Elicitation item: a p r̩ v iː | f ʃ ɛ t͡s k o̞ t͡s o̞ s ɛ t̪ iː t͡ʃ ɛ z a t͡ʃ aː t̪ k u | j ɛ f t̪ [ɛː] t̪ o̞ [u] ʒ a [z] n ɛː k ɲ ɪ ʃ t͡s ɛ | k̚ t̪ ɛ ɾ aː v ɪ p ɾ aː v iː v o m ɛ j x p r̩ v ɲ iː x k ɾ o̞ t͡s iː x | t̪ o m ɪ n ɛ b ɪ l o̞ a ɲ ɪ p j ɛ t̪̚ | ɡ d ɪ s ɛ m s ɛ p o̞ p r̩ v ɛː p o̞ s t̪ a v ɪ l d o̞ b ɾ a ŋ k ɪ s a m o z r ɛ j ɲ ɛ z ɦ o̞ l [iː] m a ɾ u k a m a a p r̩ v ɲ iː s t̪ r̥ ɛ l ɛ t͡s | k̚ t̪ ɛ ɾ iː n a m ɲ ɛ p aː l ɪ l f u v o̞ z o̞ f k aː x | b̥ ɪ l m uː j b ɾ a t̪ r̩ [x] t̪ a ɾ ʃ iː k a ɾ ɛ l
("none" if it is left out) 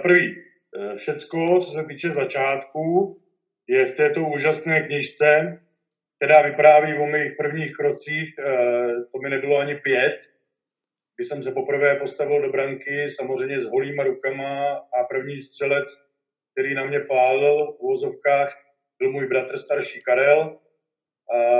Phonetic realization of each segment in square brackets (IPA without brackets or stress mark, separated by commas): ɛː, uː, s, iː, s